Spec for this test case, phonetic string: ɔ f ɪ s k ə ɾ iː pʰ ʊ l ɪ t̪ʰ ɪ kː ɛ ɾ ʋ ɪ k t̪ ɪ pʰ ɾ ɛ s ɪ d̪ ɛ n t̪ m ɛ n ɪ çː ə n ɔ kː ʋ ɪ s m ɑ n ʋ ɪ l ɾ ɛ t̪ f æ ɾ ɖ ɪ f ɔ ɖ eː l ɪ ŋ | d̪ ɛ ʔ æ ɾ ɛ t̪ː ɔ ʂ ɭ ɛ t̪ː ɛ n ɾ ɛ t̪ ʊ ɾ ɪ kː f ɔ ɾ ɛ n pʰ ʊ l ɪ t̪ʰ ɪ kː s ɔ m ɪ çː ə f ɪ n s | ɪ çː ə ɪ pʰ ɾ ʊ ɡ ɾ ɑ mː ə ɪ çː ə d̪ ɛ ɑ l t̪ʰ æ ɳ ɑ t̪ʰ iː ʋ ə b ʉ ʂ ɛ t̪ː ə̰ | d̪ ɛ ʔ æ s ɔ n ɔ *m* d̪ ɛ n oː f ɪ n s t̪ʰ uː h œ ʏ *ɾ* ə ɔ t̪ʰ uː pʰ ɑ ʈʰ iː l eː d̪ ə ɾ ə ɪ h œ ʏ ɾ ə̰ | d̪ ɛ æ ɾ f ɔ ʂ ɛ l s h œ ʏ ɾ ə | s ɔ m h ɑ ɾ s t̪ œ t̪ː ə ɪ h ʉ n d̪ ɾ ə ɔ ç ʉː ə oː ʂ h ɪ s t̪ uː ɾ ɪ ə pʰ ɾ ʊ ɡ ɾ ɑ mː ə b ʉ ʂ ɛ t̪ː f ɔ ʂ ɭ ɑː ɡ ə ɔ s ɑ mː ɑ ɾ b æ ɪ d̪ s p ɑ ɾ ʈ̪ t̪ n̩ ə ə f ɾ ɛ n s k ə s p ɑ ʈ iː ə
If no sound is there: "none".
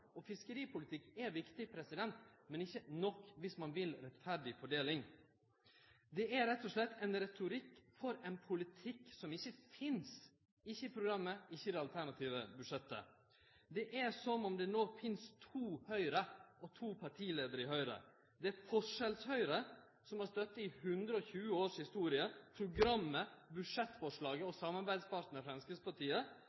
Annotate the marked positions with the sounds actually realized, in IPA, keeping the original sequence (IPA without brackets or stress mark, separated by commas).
m, ɾ